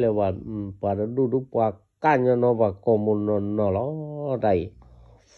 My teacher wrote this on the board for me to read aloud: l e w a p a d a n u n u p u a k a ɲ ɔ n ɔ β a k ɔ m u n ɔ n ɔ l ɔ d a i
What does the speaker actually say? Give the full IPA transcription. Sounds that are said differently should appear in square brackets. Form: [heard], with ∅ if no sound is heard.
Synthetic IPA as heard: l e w a p a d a [d] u [d] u p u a k a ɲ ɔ n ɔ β a k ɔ m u n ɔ n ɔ l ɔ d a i